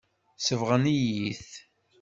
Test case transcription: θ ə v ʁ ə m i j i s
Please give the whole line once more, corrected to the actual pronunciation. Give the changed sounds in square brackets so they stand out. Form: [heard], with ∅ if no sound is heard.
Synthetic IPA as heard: [s] ə v ʁ ə [n] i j i [θ]